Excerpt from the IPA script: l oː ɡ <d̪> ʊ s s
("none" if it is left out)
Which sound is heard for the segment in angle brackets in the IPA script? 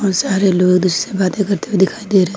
d̪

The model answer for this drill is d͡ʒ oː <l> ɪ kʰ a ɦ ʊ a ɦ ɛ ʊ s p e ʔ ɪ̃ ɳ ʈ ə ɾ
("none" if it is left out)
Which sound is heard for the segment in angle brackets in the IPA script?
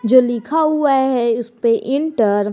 l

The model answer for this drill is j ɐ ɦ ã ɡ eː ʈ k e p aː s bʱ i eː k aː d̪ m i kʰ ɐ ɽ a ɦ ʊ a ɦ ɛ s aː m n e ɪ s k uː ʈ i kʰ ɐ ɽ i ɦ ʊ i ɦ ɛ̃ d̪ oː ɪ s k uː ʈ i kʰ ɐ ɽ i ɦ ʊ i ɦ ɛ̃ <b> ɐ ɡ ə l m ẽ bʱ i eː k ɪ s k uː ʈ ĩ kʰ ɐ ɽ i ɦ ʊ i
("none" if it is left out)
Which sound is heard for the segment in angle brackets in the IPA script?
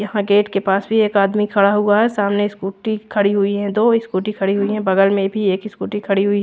b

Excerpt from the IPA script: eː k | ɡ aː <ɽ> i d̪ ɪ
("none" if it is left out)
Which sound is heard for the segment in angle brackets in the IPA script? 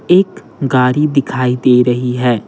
ɾ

